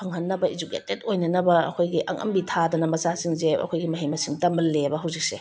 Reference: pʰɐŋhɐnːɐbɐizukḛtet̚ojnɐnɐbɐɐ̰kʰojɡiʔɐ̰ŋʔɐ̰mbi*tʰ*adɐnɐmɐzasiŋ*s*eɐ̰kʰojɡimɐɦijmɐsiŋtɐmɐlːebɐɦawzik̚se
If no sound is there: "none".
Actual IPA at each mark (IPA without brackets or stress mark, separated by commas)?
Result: tʰ, z